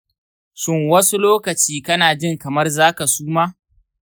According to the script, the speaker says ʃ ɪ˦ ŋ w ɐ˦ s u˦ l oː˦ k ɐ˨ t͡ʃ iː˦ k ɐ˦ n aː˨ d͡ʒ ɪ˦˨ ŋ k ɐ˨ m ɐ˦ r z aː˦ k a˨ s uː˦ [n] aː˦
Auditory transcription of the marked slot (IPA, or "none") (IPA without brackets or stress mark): m